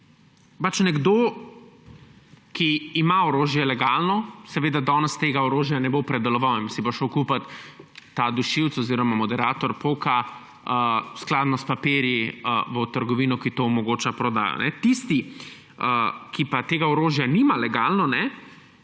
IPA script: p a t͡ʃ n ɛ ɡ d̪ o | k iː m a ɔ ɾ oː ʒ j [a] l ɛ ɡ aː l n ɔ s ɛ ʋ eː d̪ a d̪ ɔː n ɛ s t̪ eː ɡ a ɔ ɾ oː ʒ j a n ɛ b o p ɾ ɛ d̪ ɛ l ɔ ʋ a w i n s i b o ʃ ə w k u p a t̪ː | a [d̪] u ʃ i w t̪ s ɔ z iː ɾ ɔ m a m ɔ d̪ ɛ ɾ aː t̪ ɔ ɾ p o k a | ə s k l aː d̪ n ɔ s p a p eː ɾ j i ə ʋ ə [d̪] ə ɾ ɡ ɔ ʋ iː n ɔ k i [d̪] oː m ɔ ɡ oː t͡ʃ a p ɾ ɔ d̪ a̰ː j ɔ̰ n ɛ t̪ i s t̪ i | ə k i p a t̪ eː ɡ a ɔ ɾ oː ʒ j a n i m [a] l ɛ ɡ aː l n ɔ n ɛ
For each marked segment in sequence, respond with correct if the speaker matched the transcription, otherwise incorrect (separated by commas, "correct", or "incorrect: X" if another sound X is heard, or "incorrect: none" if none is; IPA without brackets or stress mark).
incorrect: ɛ, correct, incorrect: t̪, incorrect: t̪, correct